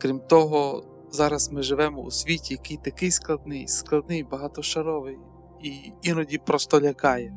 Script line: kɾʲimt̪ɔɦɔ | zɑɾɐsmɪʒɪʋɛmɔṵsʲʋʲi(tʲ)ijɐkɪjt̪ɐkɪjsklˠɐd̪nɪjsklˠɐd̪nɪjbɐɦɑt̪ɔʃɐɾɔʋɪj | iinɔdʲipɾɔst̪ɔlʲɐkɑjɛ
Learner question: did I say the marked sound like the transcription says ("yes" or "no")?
yes